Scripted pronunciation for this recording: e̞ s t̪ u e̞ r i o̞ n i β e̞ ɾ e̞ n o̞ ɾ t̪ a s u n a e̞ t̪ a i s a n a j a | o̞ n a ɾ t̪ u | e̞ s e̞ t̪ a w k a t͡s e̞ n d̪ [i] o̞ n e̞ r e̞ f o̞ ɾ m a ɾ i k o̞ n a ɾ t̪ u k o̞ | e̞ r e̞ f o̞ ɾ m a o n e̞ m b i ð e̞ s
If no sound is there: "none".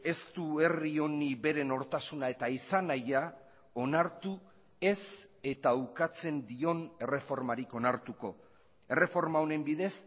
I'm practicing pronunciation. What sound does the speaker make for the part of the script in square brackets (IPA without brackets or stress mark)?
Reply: i